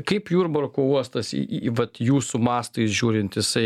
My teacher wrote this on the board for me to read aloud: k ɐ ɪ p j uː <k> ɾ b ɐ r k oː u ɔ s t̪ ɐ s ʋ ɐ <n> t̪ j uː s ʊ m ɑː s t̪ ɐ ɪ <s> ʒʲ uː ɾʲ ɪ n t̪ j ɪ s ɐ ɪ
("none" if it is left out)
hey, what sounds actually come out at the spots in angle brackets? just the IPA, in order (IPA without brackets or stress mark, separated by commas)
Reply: none, none, s